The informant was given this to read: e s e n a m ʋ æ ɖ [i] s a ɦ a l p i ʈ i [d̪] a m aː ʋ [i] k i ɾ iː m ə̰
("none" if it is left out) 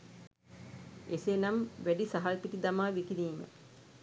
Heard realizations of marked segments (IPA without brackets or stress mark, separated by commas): i, d̪, i